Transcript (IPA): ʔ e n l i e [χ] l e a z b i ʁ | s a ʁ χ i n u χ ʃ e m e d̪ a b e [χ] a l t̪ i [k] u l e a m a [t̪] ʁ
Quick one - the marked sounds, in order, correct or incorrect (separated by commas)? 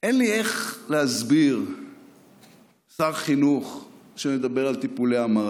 correct, incorrect, incorrect, incorrect